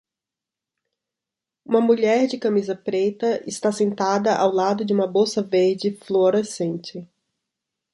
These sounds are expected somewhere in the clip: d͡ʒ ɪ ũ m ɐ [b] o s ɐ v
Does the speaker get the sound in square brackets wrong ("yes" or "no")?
no